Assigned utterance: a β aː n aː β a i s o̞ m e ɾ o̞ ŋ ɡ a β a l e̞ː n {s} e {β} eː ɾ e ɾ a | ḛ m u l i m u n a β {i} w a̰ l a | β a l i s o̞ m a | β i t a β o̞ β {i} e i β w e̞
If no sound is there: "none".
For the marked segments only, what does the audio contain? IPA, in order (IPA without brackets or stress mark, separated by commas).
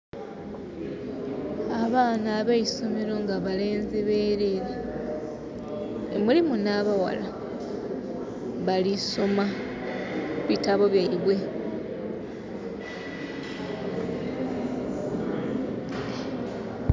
z, β, a, j